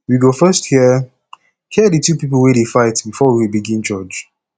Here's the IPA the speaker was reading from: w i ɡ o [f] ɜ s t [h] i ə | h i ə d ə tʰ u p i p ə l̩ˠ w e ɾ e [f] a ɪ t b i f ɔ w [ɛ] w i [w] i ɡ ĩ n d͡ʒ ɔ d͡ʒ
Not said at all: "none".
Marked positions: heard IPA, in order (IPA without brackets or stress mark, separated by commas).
f, h, f, i, b